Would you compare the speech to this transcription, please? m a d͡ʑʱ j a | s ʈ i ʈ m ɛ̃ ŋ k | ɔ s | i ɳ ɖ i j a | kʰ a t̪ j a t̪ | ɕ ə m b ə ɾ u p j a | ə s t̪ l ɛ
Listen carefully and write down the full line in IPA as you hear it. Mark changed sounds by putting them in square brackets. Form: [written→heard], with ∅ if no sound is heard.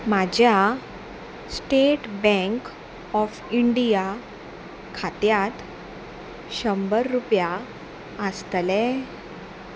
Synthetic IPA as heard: m a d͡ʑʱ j a | s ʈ [i→e] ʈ [m→b] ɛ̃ ŋ k | ɔ [s→f] | i ɳ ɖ i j a | kʰ a t̪ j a t̪ | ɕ ə m b ə [ɾ→ɾː] u p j a | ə s t̪ l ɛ